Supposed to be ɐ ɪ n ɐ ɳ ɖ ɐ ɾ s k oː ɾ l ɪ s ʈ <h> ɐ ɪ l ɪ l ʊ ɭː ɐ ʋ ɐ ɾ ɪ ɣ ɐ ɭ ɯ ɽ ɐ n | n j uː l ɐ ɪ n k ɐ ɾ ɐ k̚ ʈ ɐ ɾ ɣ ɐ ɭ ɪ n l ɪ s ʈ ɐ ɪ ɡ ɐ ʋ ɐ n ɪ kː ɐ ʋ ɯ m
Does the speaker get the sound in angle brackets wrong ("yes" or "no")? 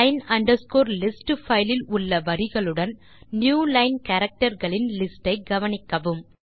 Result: yes